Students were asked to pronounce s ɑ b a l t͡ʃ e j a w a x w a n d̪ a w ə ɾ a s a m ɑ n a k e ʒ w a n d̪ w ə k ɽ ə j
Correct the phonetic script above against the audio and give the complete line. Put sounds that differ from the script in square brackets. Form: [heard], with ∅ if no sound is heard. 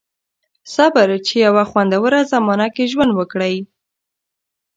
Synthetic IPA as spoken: s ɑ b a [ɾ] t͡ʃ e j a w a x w a n d̪ a w ə ɾ a [z] a m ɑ n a k e ʒ w a n d̪ w ə k ɽ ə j